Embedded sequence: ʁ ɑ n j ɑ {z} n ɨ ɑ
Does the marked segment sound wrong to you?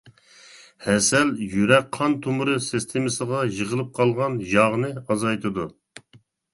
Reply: yes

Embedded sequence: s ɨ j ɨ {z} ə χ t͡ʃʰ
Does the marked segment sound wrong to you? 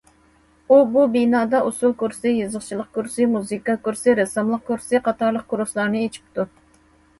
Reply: no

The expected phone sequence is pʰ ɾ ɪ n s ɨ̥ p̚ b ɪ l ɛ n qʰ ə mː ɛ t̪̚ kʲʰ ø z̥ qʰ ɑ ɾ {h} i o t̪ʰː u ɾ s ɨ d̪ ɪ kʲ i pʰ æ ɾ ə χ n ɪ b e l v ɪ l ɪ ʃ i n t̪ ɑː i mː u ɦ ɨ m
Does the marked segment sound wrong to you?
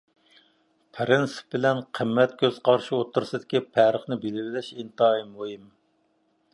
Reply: yes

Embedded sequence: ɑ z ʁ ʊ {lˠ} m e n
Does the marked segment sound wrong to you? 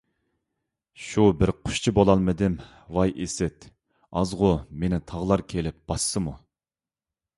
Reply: yes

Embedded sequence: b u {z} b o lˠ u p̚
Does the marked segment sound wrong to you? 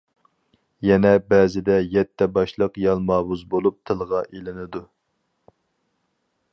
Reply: no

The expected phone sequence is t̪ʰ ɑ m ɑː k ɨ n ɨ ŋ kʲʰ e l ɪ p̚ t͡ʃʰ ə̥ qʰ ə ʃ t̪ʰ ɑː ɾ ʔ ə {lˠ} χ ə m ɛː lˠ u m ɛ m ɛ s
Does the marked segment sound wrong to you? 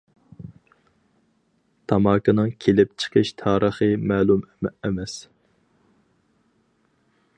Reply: yes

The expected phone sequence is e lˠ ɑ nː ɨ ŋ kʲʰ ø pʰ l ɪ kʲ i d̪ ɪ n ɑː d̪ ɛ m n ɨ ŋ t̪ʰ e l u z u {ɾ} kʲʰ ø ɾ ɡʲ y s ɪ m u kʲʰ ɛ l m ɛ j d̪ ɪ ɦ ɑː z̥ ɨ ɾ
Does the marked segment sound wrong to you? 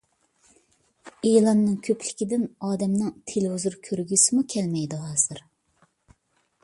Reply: no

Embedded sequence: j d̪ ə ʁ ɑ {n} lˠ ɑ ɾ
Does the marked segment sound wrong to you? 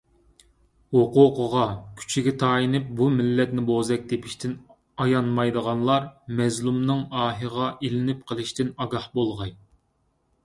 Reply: no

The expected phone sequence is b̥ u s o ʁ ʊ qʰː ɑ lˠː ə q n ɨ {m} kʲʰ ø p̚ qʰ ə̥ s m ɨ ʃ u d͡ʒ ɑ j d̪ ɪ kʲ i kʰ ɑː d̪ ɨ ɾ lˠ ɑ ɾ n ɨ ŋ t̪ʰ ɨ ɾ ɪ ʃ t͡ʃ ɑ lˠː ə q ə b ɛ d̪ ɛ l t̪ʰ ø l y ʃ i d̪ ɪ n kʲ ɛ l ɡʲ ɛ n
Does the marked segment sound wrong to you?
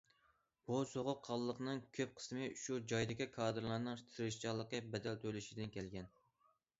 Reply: yes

